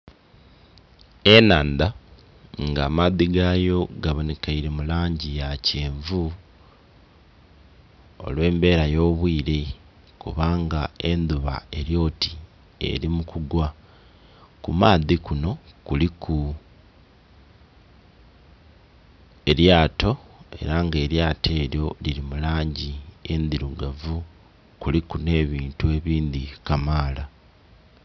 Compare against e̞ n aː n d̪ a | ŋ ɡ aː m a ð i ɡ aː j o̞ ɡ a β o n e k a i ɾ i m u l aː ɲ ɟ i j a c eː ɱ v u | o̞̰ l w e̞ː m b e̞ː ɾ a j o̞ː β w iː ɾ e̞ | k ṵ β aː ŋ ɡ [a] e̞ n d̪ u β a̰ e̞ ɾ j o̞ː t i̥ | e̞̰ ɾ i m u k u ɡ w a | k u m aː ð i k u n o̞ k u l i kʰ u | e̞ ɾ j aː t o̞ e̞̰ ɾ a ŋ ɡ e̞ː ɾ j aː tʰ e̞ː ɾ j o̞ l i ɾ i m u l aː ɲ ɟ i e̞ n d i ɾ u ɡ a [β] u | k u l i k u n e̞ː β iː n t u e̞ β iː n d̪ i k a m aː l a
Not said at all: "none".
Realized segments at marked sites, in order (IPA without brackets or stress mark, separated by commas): a, v